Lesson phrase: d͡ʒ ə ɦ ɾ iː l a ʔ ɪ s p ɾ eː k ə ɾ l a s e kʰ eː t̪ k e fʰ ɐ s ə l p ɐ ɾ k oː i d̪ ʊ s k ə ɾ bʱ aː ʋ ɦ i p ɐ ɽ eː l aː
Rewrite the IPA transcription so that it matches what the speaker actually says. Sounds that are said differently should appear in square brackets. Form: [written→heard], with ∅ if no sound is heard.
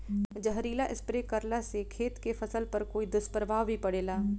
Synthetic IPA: d͡ʒ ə ɦ ɾ iː l a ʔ ɪ s p ɾ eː k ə ɾ l a s e kʰ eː t̪ k e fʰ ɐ s ə l p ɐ ɾ k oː i d̪ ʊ s [k→p] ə ɾ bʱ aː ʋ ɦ i p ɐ ɽ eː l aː